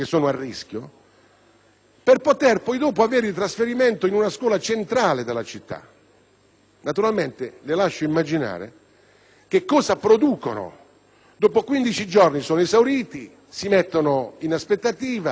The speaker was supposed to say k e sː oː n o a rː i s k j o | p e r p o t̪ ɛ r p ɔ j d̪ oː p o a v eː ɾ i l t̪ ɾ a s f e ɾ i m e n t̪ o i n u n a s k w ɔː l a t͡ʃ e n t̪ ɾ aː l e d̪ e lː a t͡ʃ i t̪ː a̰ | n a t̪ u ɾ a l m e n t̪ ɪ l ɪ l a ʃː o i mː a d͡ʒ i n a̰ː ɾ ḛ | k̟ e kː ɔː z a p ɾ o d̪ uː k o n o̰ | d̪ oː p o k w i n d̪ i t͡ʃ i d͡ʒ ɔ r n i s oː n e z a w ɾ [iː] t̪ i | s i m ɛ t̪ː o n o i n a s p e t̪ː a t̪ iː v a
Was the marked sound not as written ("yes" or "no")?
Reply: no